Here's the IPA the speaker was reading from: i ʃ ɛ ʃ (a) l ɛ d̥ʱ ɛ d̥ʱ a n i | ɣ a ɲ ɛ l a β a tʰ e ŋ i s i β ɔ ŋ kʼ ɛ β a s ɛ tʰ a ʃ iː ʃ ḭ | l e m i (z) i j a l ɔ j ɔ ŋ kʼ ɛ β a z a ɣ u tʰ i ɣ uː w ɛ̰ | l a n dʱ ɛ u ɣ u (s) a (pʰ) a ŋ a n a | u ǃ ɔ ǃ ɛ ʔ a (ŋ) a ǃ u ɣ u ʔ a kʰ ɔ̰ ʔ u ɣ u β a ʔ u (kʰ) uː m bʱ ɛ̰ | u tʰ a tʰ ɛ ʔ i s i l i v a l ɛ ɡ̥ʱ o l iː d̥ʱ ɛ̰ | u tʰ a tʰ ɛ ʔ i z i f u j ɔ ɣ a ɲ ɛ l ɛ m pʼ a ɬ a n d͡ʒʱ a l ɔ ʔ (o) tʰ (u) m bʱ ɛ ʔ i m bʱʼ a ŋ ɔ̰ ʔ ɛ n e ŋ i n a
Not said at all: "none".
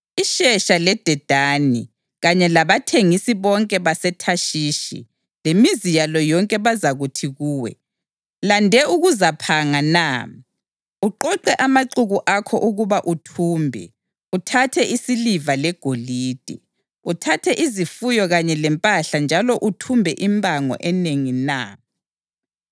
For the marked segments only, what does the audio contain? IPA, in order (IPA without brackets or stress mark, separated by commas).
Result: a, z, z, pʰ, m, tʰ, u, u